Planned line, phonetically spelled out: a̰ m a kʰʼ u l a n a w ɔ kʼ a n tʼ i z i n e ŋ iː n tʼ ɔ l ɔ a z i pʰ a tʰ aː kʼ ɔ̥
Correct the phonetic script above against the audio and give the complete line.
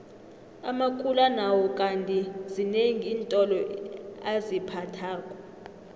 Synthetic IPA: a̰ m a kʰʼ u l a n a w ɔ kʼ a n tʼ i z i n e ŋ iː n tʼ ɔ l ɔ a z i pʰ a tʰ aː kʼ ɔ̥